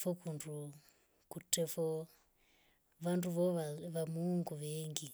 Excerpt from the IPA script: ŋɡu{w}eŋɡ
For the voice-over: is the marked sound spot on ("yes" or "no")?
no